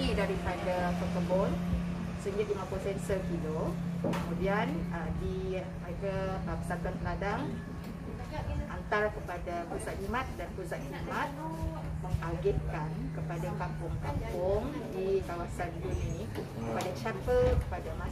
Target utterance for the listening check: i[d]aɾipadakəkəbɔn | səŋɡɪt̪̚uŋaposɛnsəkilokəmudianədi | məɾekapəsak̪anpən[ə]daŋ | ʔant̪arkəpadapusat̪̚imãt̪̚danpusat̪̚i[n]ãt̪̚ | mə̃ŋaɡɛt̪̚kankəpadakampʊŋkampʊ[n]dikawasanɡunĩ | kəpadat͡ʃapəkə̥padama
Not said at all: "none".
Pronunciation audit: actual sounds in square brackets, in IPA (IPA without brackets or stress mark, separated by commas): d, a, m, ŋ